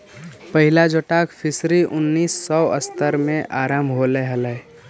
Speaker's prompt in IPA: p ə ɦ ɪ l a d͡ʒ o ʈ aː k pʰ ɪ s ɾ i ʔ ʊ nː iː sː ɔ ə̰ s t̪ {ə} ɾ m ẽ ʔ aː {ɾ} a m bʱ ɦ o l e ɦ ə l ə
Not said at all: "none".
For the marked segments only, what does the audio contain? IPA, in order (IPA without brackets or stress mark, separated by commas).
ə, ɾ